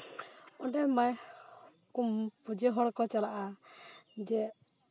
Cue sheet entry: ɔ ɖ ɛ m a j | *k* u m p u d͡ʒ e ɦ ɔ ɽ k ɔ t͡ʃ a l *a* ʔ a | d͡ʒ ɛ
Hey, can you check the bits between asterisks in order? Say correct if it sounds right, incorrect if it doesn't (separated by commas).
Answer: correct, correct